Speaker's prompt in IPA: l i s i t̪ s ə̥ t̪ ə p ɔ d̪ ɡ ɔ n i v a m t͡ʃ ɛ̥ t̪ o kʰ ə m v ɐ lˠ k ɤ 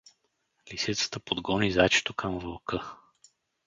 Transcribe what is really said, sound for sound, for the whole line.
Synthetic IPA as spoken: l i s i t̪ s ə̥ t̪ ə p o d̪ ɡ ɔ n i z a t͡ʃ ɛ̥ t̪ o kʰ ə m v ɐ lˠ k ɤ